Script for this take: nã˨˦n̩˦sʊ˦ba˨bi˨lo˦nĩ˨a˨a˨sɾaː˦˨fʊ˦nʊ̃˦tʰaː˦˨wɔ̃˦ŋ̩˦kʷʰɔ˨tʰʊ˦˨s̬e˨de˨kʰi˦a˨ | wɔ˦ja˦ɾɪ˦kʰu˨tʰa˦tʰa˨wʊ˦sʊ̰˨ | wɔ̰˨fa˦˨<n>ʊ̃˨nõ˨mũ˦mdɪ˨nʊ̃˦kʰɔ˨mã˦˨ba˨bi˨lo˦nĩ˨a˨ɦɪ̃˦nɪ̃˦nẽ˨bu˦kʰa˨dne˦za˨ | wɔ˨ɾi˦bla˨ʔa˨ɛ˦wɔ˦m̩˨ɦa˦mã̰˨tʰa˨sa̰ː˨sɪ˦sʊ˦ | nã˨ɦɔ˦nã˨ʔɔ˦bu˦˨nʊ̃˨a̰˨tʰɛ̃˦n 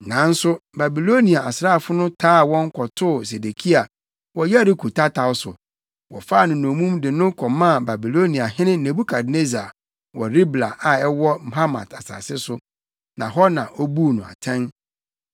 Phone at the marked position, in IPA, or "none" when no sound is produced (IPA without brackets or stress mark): n